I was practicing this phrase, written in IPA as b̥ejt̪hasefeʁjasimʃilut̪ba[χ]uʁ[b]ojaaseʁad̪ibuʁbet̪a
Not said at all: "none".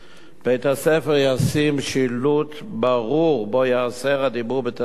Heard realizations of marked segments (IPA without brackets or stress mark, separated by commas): ʁ, b